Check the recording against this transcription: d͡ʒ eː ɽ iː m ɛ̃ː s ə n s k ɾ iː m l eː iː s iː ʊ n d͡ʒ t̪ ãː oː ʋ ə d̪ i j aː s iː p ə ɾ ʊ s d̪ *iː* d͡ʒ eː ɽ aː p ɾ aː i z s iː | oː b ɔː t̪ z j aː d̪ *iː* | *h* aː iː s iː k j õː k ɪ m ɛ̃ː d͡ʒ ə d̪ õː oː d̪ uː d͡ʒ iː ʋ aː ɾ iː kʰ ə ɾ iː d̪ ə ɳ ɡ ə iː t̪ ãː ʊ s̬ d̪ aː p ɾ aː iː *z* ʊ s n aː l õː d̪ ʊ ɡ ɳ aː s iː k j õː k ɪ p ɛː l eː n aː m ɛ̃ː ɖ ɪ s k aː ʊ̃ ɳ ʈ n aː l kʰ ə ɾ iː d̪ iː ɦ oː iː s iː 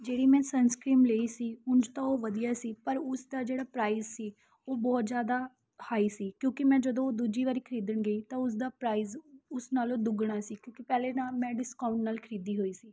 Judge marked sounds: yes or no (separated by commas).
no, no, yes, yes